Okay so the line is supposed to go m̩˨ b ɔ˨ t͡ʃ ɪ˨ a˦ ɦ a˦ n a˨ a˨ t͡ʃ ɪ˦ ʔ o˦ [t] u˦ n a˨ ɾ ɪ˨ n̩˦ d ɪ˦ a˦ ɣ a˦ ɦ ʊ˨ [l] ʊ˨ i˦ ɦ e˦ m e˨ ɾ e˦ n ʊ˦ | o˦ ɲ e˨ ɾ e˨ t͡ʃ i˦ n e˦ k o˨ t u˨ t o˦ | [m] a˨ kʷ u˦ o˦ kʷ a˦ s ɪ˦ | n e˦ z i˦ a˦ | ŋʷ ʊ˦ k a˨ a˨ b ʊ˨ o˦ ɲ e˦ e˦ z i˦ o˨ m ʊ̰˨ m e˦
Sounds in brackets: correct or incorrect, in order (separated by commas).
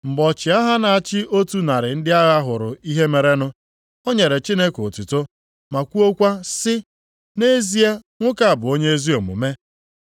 correct, incorrect, correct